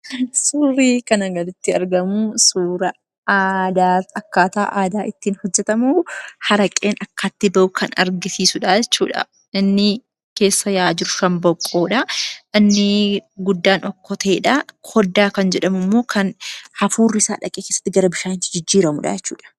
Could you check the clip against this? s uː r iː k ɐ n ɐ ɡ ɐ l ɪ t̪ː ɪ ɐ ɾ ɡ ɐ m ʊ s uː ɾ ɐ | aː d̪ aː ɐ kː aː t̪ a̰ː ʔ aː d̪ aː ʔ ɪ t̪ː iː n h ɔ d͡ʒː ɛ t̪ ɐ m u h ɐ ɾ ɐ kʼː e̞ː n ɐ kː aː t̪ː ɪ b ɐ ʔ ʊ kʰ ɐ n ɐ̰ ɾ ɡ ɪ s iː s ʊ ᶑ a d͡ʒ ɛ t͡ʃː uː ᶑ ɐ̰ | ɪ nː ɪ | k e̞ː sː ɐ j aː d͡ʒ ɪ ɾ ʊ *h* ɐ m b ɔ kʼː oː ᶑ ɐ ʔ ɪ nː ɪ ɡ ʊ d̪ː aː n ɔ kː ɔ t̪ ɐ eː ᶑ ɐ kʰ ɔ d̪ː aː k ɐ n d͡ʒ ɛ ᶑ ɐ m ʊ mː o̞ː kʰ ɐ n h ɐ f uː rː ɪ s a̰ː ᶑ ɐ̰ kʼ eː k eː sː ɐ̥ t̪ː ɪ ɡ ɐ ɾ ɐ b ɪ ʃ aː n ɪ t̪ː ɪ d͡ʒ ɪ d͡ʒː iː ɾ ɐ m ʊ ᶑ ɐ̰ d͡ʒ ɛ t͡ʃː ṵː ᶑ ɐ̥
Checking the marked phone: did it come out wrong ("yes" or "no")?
yes